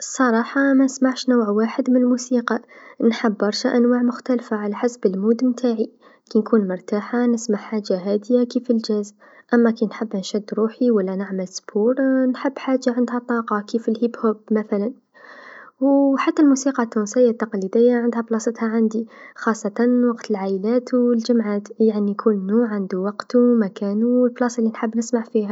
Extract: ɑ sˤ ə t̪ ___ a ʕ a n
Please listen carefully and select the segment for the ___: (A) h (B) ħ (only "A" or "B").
A